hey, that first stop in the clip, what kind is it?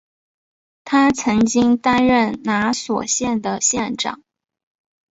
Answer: aspirated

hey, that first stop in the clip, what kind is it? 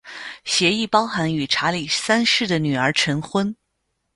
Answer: plain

